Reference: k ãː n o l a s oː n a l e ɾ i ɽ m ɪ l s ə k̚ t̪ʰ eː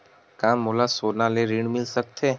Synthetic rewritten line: k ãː m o l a s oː n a l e ɾ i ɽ m ɪ l s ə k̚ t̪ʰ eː